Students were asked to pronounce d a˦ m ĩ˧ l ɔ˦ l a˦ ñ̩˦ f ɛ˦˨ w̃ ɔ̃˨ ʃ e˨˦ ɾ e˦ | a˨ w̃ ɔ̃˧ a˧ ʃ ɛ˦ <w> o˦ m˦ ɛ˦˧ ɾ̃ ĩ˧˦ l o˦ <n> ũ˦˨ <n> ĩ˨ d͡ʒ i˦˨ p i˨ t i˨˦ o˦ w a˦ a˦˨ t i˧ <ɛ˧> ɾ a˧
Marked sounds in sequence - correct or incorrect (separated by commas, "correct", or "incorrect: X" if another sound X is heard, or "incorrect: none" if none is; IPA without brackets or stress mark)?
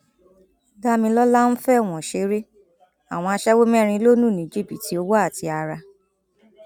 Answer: correct, correct, correct, incorrect: a˧